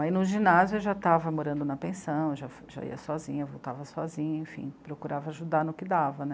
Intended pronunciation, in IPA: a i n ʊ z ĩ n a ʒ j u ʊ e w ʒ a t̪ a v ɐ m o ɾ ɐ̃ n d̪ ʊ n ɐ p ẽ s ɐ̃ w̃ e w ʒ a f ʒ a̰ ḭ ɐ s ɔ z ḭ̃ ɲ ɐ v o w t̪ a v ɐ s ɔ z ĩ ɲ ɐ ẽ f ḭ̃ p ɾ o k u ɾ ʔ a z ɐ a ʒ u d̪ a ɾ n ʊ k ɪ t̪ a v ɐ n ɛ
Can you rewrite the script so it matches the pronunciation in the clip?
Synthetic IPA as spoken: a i n ʊ ʒ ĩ n a z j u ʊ e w ʒ a t̪ a v ɐ m o ɾ ɐ̃ n d̪ ʊ n ɐ p ẽ s ɐ̃ w̃ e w ʒ a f ʒ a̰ ḭ ɐ s ɔ z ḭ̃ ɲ ɐ v o w t̪ a v ɐ s ɔ z ĩ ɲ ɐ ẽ f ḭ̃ p ɾ o k u ɾ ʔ a v ɐ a ʒ u d̪ a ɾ n ʊ k ɪ d̪ a v ɐ n ɛ